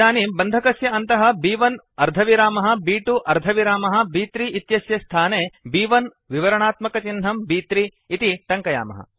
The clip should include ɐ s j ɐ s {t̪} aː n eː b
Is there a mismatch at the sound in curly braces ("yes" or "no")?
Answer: yes